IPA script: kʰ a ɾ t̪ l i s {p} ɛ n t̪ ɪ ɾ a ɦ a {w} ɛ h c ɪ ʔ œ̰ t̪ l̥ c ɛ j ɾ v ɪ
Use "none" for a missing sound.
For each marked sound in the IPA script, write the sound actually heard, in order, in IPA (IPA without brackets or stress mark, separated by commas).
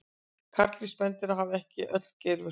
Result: p, v